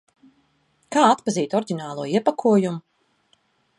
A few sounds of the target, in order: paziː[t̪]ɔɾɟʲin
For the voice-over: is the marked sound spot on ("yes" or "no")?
yes